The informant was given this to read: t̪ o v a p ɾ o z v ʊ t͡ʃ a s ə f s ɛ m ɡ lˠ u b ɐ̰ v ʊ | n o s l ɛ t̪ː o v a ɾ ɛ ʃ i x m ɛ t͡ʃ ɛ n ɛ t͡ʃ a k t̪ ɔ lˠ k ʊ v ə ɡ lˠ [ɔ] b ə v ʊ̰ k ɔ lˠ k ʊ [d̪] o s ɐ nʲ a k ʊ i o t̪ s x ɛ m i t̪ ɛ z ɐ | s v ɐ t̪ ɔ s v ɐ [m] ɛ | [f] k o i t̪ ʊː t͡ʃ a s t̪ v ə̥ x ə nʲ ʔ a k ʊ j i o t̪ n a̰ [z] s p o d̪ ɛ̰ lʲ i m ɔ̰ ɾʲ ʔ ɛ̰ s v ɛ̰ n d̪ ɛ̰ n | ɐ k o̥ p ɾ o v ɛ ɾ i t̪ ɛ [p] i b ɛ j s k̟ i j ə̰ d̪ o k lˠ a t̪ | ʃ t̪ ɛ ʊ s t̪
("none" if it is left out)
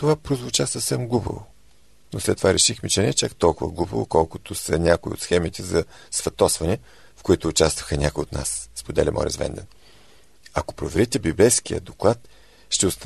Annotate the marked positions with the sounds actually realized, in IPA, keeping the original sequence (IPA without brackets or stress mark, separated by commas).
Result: u, t̪, n, f, s, b